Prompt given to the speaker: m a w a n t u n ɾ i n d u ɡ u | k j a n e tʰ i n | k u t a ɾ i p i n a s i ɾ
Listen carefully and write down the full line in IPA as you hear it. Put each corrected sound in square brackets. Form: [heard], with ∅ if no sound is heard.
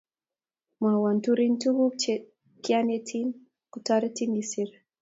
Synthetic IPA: m a w a n t u [∅] ɾ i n [t] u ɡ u | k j a n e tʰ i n | k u t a ɾ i [t] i n [i] s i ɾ